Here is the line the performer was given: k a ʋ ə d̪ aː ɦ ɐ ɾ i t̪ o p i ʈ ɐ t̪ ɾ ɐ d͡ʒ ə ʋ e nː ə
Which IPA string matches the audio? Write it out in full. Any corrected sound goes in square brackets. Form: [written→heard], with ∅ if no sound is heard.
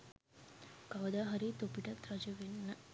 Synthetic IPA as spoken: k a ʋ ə d̪ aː ɦ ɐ ɾ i t̪ o p i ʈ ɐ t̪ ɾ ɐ d͡ʒ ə ʋ e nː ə